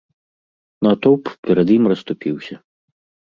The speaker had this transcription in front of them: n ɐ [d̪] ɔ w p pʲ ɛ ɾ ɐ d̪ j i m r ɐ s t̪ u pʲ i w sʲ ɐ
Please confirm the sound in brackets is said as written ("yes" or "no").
no